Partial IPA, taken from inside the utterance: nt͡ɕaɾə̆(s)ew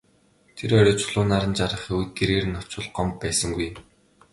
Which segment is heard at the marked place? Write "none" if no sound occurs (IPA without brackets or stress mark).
χ